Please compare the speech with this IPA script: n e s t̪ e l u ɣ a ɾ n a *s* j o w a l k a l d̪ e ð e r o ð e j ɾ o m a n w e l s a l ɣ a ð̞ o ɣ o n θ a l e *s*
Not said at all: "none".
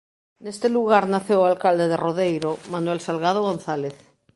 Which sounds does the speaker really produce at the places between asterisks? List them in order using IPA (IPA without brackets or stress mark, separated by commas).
θ, θ